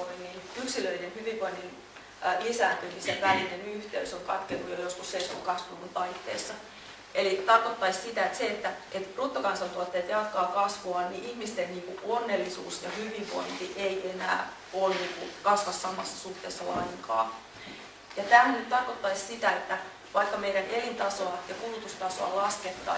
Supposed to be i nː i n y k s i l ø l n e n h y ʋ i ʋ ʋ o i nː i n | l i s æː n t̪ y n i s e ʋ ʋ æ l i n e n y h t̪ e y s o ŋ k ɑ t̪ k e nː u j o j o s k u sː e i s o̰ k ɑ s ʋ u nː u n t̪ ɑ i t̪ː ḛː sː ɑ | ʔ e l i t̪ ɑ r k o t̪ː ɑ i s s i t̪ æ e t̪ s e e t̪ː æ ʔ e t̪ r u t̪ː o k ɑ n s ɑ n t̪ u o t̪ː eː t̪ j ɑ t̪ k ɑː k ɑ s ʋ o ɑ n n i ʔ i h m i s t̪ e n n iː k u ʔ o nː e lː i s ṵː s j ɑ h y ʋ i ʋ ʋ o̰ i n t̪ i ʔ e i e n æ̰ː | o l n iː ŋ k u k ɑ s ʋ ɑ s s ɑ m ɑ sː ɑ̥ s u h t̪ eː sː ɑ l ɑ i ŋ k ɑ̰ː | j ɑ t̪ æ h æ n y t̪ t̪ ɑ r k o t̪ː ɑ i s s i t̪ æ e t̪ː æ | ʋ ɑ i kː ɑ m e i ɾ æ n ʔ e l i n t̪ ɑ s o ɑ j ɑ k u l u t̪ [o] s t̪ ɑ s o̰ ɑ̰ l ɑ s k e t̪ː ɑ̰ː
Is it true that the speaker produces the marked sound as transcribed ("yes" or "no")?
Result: no